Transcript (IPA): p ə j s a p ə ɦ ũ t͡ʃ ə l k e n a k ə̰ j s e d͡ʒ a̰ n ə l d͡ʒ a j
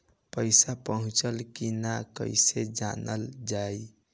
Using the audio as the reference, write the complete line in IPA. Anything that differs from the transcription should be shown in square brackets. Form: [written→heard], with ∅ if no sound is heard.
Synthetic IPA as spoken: p ə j s a p ə ɦ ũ t͡ʃ ə l k [e→i] n a k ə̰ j s e d͡ʒ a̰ n ə l d͡ʒ a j